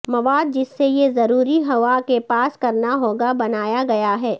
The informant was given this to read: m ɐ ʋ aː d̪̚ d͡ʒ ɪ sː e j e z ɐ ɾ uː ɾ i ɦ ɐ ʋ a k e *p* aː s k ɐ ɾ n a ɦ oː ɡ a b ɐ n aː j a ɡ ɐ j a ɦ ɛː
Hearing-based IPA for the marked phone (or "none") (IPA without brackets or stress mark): p